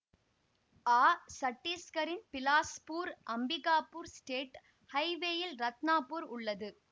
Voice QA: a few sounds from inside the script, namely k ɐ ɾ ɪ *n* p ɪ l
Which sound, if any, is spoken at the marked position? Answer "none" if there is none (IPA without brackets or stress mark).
n